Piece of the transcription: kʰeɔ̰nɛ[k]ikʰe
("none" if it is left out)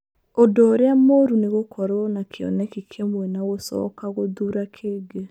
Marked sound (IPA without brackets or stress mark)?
k